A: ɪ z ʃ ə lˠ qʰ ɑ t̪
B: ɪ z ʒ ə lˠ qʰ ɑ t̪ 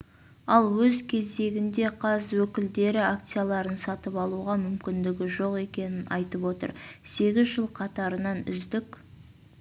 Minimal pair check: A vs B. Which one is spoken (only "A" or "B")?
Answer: B